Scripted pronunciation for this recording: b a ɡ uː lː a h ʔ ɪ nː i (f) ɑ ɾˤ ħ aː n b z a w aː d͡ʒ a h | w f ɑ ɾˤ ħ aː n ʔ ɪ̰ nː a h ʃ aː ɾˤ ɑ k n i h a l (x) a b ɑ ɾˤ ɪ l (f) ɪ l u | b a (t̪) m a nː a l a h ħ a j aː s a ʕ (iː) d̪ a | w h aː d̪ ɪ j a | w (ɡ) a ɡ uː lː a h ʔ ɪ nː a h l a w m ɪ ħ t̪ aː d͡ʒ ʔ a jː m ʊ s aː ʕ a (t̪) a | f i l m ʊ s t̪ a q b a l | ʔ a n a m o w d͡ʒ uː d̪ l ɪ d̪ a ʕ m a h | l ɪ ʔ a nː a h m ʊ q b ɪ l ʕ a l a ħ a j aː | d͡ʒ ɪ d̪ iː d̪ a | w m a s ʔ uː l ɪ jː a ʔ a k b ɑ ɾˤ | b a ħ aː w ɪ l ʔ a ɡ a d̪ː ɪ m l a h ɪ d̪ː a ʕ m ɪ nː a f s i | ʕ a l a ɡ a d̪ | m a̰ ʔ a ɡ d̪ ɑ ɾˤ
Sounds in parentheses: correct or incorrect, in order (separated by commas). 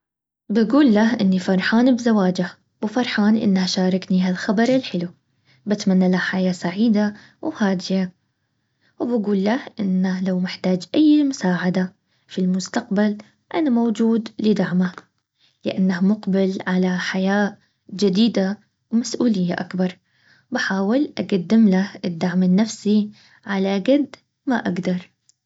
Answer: correct, correct, incorrect, correct, correct, incorrect, incorrect